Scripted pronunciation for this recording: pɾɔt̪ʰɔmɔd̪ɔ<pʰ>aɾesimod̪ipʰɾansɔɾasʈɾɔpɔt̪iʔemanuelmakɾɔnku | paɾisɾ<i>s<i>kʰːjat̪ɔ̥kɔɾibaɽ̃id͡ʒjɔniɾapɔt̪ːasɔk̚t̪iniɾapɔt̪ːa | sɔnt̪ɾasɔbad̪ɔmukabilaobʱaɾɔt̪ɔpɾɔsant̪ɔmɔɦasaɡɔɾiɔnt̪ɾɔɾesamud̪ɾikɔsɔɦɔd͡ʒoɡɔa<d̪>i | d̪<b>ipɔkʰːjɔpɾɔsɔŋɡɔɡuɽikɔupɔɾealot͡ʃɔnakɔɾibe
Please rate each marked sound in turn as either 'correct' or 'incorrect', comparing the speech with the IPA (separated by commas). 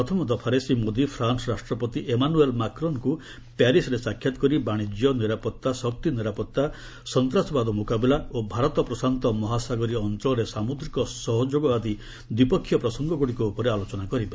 correct, incorrect, incorrect, correct, incorrect